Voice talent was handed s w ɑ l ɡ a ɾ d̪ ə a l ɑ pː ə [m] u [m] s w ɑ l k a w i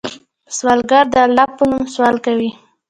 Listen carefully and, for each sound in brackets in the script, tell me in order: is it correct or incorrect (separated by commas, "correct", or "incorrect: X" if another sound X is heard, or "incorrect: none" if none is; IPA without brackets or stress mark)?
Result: incorrect: n, correct